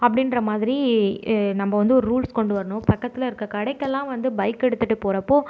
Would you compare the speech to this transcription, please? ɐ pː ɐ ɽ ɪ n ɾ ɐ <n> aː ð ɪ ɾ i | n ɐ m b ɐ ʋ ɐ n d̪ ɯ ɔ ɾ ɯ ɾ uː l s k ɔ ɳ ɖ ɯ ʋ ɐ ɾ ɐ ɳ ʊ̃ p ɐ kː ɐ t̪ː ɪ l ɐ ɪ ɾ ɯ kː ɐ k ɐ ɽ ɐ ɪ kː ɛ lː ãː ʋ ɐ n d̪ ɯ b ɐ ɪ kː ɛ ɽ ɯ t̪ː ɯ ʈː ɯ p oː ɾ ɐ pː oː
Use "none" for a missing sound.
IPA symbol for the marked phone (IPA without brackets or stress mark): m